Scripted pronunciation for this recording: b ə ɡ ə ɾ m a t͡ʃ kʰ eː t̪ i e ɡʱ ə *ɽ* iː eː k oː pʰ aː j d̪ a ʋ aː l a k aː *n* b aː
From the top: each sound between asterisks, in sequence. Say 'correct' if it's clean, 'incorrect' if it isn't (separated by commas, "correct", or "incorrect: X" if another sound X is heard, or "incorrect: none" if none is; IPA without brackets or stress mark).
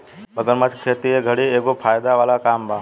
correct, incorrect: m